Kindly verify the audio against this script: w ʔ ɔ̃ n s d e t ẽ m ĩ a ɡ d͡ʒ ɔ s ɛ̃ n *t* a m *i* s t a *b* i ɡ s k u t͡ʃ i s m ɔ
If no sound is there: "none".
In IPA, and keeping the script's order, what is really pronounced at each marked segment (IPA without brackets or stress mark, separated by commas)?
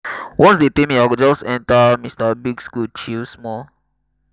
t, i, b